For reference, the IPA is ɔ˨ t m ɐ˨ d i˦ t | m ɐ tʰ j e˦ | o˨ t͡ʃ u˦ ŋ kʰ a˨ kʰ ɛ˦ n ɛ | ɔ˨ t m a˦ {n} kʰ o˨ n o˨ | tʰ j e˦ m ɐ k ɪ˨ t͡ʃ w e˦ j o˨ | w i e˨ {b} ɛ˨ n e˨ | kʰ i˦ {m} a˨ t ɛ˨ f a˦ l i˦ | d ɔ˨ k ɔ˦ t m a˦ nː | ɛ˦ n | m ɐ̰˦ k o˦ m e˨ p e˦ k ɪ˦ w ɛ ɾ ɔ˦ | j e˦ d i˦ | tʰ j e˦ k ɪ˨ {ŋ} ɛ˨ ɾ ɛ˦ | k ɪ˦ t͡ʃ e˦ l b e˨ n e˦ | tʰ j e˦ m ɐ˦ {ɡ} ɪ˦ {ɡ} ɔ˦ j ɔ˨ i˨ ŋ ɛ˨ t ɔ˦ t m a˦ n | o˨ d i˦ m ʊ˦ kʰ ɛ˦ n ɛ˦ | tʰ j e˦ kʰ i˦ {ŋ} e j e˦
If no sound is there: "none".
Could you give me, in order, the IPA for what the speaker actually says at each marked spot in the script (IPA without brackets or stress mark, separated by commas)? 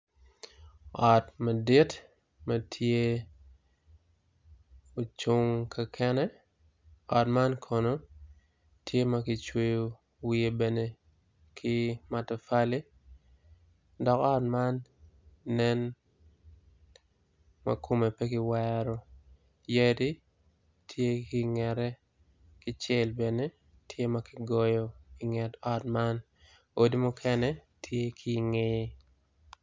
n, b, m, ŋ, k, ɡ, ŋ